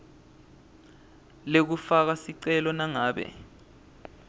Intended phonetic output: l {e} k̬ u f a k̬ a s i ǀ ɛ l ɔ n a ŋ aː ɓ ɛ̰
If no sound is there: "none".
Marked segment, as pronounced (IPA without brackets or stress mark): e